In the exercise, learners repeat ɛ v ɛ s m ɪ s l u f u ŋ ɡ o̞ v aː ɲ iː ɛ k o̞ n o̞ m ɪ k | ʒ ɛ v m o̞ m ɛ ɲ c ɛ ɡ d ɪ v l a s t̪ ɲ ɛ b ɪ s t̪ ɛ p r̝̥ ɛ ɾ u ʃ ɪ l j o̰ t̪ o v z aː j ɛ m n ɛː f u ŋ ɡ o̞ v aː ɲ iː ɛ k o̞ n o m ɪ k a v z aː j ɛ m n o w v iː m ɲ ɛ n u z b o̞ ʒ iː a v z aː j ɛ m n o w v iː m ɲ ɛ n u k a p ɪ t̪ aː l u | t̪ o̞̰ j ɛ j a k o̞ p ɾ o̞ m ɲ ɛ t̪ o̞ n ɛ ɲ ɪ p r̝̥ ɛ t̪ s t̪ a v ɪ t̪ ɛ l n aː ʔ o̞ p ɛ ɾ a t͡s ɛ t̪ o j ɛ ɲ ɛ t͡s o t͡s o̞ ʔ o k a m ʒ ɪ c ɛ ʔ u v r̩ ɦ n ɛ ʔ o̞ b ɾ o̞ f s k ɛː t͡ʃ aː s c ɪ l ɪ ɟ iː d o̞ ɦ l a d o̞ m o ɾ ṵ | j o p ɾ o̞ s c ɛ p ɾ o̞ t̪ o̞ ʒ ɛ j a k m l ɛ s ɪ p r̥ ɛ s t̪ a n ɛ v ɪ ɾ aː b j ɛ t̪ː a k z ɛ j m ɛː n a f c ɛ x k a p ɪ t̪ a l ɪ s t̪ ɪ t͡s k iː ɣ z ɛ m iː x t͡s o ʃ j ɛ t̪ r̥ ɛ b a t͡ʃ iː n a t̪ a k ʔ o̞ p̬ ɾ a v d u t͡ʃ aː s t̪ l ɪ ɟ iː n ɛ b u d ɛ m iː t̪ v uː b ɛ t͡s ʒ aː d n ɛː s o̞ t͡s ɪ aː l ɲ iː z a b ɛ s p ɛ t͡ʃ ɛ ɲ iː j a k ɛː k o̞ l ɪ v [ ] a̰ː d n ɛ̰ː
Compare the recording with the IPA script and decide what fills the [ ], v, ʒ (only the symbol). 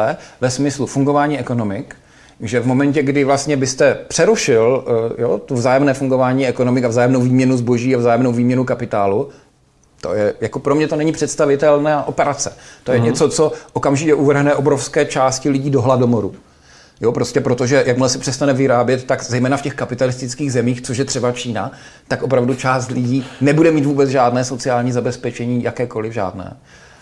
ʒ